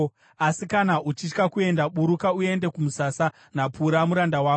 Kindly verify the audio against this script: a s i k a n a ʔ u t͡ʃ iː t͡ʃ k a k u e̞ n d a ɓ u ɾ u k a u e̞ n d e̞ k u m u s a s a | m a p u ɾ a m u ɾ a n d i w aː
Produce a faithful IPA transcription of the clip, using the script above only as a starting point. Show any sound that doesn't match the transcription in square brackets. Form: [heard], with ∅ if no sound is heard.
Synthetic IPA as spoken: a s i k a n a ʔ u t͡ʃ [i] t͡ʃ k a k u e̞ n d a ɓ u ɾ u k a u e̞ n d e̞ k u m u s a s a | [n] a p u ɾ a m u ɾ a n d [a] w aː